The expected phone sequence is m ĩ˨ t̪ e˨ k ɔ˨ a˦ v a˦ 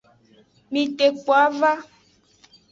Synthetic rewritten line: m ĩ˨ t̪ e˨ k͡p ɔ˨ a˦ v a˦